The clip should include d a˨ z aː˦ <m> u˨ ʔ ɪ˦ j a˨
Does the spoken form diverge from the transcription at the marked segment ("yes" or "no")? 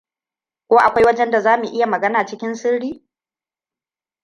no